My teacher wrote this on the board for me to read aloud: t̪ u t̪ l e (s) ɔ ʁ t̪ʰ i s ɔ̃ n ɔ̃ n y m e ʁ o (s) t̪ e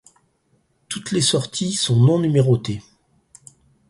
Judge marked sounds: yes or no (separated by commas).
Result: yes, no